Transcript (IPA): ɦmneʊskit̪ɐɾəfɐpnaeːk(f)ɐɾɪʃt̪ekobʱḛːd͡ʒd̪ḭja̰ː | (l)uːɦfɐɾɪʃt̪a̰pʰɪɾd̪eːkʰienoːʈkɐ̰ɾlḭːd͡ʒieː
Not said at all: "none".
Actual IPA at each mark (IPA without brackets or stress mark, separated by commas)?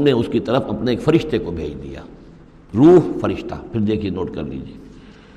f, ɾ